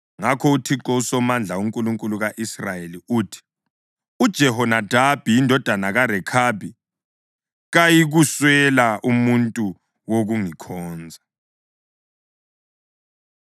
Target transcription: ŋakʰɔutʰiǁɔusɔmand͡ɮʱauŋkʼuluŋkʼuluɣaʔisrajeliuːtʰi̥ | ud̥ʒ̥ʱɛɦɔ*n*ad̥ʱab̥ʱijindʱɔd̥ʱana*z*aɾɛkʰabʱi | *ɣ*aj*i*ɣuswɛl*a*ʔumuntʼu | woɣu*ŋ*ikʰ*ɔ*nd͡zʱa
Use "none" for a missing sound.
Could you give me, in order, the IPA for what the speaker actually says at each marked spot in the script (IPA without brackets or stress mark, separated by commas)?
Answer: n, ɣ, ɣ, i, a, ŋ, ɔː